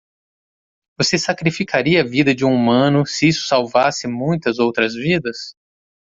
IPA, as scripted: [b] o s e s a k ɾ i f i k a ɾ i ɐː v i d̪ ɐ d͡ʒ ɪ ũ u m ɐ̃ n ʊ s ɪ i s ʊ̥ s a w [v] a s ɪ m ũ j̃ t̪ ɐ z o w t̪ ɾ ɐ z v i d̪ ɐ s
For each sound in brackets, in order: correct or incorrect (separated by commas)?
incorrect, correct